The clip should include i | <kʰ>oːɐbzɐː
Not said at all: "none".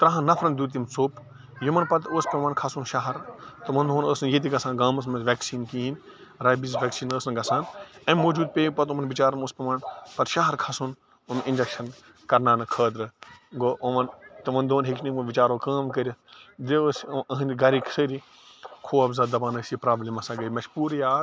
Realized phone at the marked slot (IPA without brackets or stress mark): kʰ